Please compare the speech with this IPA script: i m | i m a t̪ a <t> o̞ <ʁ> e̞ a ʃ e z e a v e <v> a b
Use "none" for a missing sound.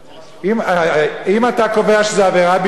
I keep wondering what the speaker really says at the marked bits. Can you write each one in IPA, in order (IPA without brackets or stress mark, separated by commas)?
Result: k, v, ʁ